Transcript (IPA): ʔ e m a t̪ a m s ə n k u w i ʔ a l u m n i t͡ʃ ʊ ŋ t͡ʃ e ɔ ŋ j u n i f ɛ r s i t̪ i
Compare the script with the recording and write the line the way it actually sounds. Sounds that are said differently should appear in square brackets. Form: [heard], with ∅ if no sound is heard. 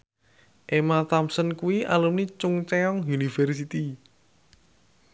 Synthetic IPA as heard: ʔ e m a t̪ a m s ə n k u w i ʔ a l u m n i t͡ʃ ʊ ŋ t͡ʃ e ɔ ŋ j u n i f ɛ r s i t̪ i